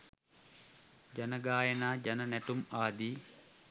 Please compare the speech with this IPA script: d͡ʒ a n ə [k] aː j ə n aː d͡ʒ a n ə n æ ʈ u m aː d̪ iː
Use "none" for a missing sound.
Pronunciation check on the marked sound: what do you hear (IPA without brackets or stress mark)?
ɡ